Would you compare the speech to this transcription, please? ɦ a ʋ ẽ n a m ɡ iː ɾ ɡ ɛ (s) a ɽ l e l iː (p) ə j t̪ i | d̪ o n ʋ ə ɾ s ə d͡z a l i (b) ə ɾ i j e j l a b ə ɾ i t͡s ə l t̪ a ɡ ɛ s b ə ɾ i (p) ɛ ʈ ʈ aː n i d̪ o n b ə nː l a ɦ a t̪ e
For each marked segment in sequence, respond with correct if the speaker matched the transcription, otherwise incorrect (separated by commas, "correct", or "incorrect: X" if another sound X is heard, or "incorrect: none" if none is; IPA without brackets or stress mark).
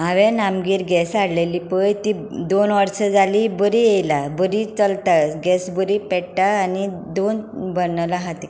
correct, correct, correct, correct